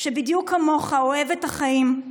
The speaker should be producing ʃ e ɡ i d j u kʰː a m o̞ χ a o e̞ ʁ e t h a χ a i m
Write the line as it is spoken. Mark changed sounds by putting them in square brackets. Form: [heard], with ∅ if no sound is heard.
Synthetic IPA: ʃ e [b] i d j u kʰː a m o̞ χ a o e̞ [v] e t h a χ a i m